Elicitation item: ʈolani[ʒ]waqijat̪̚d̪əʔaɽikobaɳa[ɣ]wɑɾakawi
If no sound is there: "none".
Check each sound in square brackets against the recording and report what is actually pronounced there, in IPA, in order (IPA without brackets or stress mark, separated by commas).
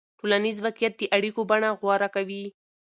z, ɣ